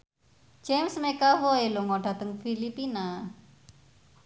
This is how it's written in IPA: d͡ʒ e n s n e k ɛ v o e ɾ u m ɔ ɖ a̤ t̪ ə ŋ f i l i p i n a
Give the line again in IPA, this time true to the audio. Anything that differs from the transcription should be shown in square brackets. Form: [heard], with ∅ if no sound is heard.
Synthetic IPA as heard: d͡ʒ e [m] s [m] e k [a] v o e [l] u [ŋ] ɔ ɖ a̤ t̪ ə ŋ f i l i p i n a